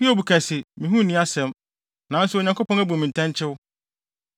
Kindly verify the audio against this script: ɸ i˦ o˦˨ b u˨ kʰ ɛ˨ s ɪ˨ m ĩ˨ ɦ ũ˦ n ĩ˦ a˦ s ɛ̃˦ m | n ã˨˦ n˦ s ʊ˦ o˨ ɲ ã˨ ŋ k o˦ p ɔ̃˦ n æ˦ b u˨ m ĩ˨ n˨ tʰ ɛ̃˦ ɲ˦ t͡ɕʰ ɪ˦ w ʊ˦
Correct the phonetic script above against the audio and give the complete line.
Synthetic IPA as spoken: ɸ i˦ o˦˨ b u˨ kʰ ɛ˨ s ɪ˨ m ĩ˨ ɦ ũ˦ n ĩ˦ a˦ s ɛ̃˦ m | n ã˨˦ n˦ s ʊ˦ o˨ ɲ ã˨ ŋ k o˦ p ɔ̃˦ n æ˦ b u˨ m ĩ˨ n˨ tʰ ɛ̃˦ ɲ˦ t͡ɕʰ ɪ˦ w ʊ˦